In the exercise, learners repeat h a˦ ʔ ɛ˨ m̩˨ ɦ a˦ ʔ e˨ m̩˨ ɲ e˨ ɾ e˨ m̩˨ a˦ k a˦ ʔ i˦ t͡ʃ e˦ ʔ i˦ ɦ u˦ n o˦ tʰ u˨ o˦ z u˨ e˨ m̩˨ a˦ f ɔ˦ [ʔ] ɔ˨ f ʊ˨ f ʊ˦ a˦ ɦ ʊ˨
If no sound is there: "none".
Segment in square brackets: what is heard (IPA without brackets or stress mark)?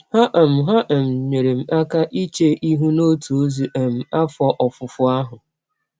ʔ